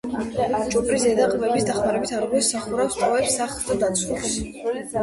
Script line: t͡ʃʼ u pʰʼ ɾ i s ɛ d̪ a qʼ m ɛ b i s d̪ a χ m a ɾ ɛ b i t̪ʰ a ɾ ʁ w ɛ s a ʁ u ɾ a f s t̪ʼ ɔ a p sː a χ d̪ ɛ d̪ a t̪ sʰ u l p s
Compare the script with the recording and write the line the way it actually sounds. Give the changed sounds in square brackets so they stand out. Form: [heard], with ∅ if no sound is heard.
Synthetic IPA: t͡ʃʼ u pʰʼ ɾ i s ɛ d̪ a qʼ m ɛ b i s d̪ a χ m a ɾ ɛ b i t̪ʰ a ɾ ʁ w ɛ s a [χ] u ɾ a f s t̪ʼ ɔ [ɛ] p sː a χ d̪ [a] d̪ a t̪ sʰ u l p s